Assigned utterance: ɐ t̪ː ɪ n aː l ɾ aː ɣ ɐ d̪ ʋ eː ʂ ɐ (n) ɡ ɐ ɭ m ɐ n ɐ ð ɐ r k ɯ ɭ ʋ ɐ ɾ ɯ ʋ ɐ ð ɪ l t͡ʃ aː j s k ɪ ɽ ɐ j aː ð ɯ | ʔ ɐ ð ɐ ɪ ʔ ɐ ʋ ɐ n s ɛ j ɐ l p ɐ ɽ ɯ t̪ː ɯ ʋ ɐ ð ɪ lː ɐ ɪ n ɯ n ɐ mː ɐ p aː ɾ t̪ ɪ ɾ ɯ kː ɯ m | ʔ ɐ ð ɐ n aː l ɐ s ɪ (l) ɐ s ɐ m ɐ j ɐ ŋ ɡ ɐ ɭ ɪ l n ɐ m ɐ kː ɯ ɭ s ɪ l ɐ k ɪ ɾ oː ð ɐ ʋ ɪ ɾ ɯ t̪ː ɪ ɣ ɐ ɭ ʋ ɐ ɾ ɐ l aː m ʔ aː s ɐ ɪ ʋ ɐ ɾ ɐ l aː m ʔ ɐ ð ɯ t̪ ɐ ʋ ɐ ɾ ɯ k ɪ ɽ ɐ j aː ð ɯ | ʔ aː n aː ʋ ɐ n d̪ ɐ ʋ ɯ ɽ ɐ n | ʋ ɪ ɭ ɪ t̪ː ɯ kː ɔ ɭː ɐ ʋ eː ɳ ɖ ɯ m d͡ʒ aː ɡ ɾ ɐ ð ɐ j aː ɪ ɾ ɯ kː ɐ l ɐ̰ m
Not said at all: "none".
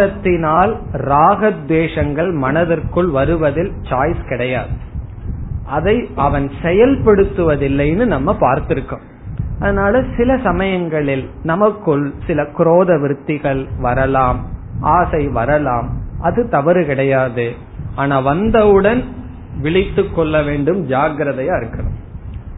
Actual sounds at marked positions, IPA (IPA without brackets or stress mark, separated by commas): ŋ, l